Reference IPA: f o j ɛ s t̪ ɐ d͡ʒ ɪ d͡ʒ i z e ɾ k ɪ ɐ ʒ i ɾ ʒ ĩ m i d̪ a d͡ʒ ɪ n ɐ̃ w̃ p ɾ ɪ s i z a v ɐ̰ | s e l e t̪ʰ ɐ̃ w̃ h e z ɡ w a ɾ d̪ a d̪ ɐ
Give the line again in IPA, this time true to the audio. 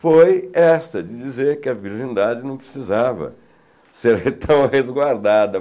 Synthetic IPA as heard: f o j ɛ s t̪ ɐ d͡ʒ ɪ d͡ʒ i z e ɾ k ɪ ɐ v i ɾ ʒ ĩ n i d̪ a d͡ʒ ɪ n ɐ̃ w̃ p ɾ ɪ s i z a v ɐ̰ | s e ɾ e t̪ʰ ɐ̃ w̃ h e z ɡ w a ɾ d̪ a d̪ ɐ